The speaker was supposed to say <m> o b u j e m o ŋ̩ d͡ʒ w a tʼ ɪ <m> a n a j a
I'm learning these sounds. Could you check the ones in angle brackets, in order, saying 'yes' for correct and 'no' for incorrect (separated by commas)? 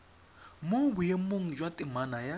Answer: yes, yes